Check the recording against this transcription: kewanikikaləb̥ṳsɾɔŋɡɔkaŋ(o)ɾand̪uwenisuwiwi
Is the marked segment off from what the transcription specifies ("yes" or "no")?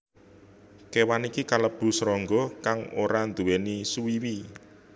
no